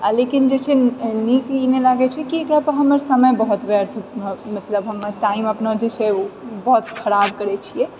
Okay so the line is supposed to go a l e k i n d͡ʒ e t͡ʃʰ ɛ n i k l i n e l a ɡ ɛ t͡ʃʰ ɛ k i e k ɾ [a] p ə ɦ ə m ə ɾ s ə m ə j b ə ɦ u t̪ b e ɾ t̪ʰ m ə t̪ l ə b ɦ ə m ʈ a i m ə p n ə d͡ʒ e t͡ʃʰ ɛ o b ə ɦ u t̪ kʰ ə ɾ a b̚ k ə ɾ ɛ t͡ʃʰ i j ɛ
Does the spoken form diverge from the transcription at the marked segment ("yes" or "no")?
no